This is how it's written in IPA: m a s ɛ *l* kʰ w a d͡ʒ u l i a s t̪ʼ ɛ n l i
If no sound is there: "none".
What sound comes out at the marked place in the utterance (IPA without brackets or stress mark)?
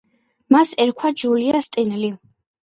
ɾ